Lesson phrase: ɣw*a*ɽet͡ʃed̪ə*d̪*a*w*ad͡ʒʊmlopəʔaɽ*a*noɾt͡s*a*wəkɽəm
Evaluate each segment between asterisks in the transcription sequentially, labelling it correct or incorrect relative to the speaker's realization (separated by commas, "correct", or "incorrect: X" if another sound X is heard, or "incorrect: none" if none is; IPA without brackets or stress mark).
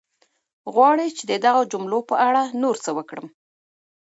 incorrect: ɑ, correct, incorrect: ɣ, correct, incorrect: ə